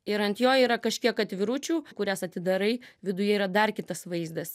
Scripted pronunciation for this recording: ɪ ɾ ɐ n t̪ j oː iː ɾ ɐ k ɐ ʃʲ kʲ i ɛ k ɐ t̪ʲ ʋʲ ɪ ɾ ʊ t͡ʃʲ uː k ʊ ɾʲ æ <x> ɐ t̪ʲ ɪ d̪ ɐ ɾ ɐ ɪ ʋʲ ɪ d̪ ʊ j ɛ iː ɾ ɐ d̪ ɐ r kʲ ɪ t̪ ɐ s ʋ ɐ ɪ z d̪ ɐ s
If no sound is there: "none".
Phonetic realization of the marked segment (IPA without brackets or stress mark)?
s